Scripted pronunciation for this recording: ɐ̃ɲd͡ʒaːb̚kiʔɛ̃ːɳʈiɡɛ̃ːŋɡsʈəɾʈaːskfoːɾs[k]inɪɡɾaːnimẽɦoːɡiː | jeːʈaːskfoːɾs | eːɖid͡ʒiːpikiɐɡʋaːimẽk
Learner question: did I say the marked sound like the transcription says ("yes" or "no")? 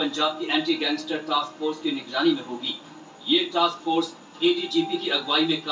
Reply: yes